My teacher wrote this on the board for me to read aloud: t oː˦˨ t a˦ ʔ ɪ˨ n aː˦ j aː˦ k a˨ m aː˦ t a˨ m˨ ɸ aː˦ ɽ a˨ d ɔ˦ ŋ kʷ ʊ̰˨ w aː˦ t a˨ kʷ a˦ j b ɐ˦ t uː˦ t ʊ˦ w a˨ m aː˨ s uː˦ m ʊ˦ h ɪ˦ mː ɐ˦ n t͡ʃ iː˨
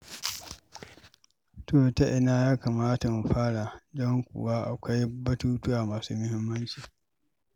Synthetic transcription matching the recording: t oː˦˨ t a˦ ʔ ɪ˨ n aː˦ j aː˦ k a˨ m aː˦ t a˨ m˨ ɸ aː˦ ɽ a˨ d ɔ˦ ŋ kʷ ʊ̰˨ w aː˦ ʔ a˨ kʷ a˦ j b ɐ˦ t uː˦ t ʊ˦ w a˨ m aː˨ s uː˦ m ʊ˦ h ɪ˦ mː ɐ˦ n t͡ʃ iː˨